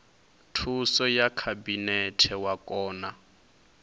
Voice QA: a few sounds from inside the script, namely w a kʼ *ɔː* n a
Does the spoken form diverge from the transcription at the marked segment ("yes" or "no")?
no